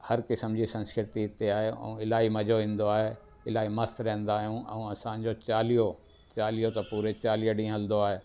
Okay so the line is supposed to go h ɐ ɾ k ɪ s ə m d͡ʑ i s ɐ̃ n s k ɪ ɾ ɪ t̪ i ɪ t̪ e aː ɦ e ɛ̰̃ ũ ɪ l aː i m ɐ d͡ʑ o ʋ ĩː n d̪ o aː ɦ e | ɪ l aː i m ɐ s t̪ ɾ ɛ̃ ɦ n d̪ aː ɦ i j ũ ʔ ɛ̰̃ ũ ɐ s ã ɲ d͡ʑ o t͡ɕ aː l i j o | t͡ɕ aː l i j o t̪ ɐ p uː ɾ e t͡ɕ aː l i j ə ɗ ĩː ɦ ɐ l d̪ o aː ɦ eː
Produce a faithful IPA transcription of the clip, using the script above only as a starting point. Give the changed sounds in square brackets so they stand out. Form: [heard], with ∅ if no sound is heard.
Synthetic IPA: h ɐ ɾ k ɪ s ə m d͡ʑ i s ɐ̃ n s k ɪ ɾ ɪ t̪ i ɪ t̪ e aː ɦ e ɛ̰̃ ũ ɪ l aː i m ɐ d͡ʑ o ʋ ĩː n d̪ o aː ɦ e | ɪ l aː i m ɐ s t̪ ɾ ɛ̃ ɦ n d̪ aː ɦ i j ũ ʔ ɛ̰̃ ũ ɐ s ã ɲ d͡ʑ o t͡ɕ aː l i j o | t͡ɕ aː l i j o t̪ ɐ p uː ɾ e t͡ɕ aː l i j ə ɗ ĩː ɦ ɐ l d̪ o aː ɦ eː